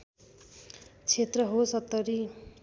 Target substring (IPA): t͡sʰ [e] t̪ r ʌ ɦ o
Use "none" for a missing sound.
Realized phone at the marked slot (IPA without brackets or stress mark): e